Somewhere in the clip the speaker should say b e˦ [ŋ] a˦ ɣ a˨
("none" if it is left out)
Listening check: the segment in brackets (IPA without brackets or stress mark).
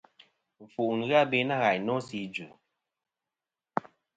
n